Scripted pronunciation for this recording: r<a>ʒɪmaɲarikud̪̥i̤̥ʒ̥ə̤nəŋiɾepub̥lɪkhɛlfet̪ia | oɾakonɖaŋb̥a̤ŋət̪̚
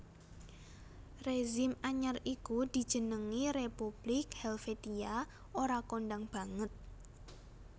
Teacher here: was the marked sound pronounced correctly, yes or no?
no